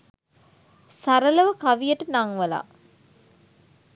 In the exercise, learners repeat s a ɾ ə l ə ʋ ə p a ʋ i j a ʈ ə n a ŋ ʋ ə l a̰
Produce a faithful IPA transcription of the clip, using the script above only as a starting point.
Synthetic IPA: s a ɾ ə l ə ʋ ə k a ʋ i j ə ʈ ə n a ŋ ʋ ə l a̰